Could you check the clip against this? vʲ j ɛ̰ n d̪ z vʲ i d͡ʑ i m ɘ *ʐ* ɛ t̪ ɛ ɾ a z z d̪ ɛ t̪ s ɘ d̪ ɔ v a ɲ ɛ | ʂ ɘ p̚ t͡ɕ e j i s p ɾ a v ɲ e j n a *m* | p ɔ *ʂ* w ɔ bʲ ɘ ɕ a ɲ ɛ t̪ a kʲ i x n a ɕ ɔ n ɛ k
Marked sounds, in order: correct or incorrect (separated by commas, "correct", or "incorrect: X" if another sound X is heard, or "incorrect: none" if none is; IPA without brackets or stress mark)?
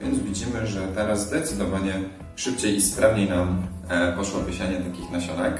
correct, correct, correct